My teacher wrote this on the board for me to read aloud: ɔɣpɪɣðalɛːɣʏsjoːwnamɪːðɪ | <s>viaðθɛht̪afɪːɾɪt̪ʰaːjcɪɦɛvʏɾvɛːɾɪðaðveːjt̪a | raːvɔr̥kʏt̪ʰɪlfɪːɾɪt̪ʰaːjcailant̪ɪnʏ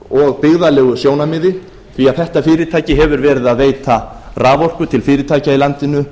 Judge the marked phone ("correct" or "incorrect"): incorrect